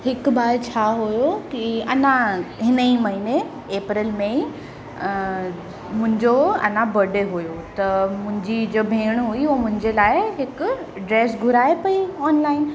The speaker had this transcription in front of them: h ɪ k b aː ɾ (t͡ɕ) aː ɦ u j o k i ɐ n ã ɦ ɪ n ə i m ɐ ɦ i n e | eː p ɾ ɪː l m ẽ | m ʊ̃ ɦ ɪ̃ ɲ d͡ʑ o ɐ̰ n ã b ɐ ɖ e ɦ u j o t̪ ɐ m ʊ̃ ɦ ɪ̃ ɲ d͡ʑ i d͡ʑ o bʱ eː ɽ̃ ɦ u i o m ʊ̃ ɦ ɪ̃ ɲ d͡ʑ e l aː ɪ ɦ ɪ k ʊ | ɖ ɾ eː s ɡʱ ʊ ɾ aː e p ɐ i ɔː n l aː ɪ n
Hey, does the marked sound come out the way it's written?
no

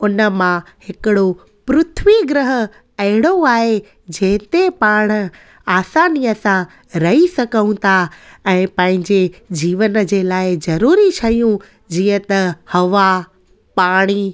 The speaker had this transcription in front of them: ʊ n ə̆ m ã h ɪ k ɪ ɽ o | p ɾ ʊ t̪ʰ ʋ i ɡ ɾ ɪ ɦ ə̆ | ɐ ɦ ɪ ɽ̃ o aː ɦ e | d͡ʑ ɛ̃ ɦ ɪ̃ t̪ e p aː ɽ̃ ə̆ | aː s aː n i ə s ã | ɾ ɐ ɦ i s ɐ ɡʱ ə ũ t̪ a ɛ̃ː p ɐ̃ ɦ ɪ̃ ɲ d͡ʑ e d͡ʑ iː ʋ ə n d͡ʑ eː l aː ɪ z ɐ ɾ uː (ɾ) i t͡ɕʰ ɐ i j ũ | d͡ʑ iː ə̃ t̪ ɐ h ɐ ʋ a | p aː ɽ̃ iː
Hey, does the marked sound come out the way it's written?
yes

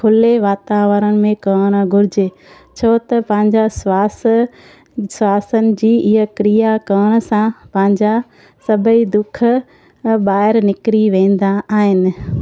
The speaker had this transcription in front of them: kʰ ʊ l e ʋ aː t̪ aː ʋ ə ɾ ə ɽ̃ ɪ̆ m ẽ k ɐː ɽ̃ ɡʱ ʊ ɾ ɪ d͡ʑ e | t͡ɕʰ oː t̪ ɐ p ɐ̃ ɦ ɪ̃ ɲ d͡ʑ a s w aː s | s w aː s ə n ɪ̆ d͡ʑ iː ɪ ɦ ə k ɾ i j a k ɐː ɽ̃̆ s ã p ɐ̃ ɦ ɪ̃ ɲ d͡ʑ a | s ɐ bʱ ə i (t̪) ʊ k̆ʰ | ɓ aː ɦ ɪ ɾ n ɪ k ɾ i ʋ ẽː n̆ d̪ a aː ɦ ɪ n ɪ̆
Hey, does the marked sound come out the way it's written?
no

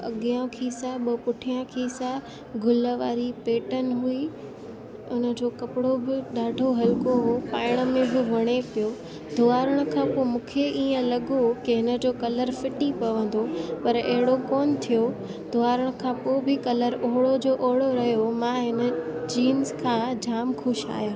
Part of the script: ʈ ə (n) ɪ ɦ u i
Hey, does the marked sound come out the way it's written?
yes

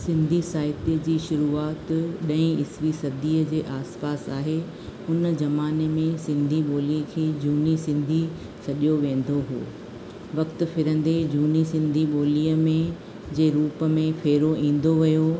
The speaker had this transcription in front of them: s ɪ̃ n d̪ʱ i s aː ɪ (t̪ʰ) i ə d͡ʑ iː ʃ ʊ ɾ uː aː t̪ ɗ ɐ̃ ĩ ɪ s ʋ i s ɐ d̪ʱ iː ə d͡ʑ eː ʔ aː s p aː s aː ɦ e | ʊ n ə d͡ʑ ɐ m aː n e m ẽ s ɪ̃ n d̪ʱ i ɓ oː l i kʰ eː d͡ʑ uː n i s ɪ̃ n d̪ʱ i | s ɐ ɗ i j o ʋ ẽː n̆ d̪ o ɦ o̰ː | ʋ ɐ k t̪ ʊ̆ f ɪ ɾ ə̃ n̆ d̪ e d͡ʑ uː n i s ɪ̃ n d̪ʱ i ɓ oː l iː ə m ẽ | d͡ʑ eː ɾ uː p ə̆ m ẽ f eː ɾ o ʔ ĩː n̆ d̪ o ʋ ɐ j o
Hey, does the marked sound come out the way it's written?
no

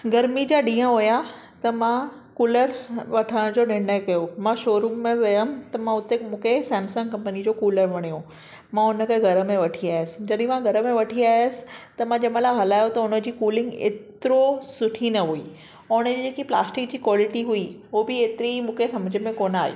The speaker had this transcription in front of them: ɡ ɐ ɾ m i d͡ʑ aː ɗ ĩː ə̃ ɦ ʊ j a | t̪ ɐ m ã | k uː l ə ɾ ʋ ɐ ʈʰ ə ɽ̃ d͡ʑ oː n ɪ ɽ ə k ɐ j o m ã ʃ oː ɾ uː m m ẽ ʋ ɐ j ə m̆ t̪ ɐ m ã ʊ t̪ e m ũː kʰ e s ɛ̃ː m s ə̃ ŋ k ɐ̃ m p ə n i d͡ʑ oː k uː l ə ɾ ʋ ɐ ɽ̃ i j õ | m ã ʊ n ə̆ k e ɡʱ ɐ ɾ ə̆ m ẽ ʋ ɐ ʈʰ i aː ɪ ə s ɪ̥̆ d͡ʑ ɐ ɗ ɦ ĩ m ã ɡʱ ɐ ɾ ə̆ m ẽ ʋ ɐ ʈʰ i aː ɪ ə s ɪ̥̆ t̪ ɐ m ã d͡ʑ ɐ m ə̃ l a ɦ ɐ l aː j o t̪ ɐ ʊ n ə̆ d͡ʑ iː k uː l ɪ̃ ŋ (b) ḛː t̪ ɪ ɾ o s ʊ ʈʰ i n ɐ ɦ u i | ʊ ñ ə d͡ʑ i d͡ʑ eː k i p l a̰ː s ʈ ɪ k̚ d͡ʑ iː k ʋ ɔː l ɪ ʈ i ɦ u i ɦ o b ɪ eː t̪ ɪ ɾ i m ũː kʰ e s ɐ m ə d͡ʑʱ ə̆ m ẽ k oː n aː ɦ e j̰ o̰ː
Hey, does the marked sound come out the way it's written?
no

